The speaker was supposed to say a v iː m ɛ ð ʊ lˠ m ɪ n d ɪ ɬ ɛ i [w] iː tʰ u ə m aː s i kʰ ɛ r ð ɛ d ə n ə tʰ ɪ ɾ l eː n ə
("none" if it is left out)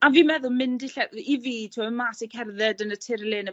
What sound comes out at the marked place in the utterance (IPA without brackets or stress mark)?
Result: v